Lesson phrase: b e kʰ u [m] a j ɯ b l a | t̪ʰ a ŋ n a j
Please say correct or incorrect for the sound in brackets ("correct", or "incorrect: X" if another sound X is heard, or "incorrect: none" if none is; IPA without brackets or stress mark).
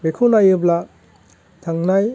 incorrect: n